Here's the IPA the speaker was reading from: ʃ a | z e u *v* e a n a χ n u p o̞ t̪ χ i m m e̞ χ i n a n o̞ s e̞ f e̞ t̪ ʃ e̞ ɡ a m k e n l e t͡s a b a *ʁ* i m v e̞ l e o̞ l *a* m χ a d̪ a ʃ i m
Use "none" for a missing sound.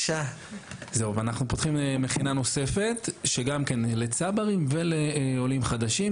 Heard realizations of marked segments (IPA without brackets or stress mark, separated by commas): v, ʁ, i